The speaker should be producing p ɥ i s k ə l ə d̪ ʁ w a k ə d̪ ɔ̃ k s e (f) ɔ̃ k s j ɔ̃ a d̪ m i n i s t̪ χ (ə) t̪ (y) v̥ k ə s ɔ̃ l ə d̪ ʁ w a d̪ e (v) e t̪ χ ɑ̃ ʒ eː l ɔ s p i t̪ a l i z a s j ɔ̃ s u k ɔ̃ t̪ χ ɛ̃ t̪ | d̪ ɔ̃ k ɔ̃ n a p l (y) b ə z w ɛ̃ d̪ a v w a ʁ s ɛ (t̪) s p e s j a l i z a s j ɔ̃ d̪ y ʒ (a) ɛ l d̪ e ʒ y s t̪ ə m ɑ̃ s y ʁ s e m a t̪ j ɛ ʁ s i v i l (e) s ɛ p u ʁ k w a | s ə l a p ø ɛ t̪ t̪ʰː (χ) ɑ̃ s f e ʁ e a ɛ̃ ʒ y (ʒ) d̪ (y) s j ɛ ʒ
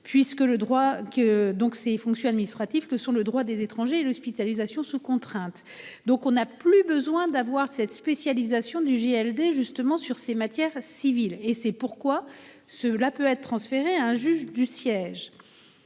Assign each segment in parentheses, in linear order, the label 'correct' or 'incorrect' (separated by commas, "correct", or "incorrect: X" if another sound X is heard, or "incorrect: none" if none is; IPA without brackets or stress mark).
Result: correct, incorrect: a, incorrect: i, incorrect: z, correct, correct, incorrect: e, correct, correct, correct, correct